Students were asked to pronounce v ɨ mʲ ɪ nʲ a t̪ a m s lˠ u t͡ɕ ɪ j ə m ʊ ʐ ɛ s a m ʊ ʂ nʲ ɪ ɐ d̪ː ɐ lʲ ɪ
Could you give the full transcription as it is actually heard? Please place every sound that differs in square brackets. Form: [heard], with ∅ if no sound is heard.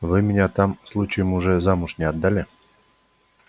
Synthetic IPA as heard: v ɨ mʲ ɪ nʲ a t̪ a m s lˠ u t͡ɕ ɪ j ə m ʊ ʐ ɛ [z] a m ʊ ʂ nʲ ɪ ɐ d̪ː [a] lʲ ɪ